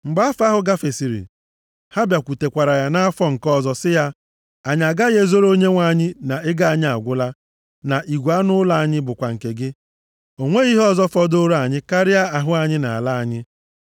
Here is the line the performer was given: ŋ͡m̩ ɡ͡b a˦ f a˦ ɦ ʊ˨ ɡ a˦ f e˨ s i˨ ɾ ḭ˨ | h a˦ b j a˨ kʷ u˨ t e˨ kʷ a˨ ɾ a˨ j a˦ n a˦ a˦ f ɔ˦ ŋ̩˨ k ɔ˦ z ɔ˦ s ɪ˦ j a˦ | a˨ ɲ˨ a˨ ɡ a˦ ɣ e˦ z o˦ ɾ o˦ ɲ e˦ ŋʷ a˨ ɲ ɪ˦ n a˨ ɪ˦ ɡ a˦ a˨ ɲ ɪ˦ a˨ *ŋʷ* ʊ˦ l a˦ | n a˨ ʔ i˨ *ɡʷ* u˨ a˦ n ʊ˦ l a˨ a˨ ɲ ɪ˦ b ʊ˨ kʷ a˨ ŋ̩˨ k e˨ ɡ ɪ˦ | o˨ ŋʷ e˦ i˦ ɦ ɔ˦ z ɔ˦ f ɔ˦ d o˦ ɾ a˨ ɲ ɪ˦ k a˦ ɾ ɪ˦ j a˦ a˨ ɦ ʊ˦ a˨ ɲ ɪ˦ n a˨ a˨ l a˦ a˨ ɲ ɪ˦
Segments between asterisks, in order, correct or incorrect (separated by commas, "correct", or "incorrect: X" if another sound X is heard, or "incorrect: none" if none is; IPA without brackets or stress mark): incorrect: ɡʷ, correct